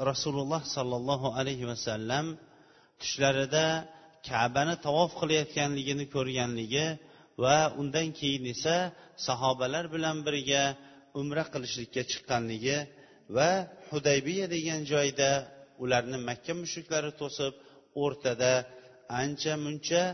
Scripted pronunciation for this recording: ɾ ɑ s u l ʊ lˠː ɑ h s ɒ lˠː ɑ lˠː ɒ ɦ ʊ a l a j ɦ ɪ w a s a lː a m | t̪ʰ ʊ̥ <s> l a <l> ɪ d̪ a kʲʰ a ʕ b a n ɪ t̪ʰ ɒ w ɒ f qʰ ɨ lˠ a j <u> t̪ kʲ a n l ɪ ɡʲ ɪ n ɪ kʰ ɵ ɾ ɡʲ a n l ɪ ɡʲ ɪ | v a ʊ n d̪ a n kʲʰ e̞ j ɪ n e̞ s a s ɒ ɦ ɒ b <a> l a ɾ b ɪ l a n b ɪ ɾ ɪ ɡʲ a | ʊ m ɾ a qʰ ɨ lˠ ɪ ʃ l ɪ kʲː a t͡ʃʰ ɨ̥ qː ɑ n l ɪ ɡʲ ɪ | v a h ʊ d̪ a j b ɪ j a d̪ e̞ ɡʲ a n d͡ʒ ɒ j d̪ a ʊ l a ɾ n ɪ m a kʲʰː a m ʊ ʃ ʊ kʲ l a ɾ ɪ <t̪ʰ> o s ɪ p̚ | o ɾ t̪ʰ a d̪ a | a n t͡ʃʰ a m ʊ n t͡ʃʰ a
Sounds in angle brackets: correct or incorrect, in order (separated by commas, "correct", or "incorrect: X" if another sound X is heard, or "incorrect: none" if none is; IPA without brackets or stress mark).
incorrect: ʃ, incorrect: ɾ, incorrect: ɒ, correct, correct